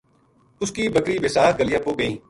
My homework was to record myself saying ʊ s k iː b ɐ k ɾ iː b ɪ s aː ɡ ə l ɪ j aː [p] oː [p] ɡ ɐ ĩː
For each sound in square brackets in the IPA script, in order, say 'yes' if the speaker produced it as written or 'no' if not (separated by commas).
yes, no